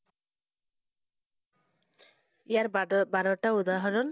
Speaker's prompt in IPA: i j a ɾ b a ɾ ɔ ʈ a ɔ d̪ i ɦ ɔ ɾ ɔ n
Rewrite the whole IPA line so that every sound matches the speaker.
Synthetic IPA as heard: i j a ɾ b a ɾ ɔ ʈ a u d̪ a ɦ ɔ ɾ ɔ n